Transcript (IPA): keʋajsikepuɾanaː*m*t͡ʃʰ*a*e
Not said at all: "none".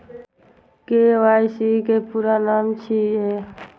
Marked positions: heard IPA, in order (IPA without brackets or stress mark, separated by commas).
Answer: m, i